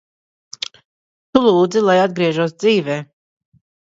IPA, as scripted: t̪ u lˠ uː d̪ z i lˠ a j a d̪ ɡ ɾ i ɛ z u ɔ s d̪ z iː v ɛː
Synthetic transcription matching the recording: t̪ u lˠ uː d̪ z i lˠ a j a d̪ ɡ ɾ i ɛ ʒ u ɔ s d̪ z iː v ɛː

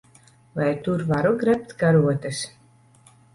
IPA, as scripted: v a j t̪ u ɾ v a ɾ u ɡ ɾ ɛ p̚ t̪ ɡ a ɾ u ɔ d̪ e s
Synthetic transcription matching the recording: v a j t̪ u ɾ v a ɾ u ɡ ɾ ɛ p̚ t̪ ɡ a ɾ u ɔ t̪ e s

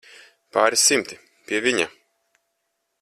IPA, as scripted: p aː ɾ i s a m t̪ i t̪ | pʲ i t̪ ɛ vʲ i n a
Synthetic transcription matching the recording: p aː ɾ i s i m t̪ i | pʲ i ɛ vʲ i ɲ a

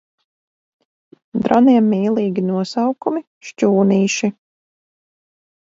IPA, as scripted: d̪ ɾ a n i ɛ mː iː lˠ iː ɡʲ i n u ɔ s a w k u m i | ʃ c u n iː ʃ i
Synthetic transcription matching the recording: d̪ ɾ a n i ɛ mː iː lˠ iː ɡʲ i n u ɔ s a w k u m i | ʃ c uː n iː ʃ i

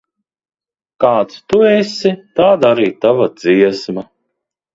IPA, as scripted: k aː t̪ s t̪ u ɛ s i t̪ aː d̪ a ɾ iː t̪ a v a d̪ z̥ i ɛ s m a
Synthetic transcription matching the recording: k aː t̪ s t̪ u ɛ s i t̪ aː d̪ a ɾ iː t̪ a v a d̪ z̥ i ɛ s m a

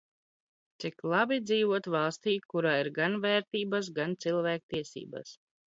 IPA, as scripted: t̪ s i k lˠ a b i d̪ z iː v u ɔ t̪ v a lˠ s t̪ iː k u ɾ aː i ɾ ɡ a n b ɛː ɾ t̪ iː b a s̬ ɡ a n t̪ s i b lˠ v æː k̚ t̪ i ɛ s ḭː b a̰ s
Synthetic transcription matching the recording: t̪ s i k lˠ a b i d̪ z iː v u ɔ t̪ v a lˠ s t̪ iː k u ɾ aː i ɾ ɡ a n v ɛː ɾ t̪ iː b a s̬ ɡ a n t̪ s i lˠ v æː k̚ t̪ i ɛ s ḭː b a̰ s

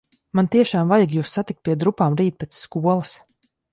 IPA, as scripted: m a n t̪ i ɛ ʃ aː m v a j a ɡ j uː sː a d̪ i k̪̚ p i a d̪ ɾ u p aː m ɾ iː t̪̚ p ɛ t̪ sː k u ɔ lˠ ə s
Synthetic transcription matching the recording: m a n t̪ i ɛ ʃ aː m v a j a ɡ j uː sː a t̪ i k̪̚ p i ɛ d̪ ɾ u p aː m ɾ iː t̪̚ p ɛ t̪ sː k u ɔ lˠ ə s

